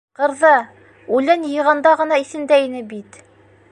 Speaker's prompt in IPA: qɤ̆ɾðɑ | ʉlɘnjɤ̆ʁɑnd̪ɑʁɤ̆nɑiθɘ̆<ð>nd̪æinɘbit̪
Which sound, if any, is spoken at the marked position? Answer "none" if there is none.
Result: none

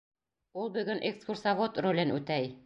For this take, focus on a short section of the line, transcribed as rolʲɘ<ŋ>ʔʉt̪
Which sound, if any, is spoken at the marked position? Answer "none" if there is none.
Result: n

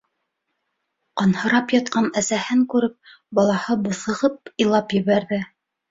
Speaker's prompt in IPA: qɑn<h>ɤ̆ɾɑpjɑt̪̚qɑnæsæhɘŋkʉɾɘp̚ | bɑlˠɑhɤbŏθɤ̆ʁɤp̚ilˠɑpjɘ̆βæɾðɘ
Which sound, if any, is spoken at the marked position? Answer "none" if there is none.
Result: h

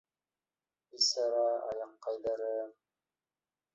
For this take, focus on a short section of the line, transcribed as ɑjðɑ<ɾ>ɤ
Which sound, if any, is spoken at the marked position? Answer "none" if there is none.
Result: ɾ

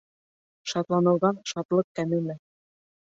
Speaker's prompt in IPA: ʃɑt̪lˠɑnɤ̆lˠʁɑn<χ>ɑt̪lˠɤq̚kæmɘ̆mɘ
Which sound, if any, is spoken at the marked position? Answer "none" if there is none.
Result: ʃ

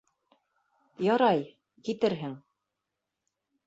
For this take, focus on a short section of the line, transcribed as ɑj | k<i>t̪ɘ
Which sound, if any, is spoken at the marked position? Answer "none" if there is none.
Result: i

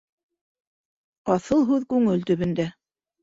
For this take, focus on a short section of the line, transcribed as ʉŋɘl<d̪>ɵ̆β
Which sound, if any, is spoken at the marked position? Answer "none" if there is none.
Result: t̪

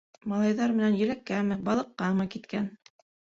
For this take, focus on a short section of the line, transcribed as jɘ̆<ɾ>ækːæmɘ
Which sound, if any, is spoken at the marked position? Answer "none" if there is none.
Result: l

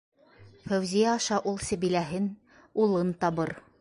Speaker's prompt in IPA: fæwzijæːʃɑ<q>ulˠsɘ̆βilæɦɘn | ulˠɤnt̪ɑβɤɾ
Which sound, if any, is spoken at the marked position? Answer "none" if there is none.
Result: ʔ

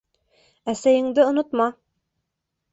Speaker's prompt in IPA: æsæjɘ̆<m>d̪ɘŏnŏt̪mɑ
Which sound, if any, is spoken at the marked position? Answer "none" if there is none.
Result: ŋ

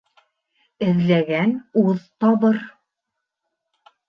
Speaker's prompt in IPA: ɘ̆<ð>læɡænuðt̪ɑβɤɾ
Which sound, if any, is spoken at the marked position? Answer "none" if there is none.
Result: ð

